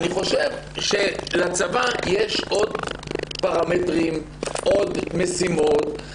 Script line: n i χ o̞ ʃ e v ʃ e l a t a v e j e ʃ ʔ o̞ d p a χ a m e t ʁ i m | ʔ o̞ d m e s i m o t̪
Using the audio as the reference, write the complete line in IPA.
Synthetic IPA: n i χ o̞ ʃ e v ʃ e l a t͡s a v a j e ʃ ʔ o̞ d p a ʁ a m e t ʁ i m | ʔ o̞ d m e s i m o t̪